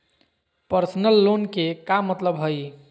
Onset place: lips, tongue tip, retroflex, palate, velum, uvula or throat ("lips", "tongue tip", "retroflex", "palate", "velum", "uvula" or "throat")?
lips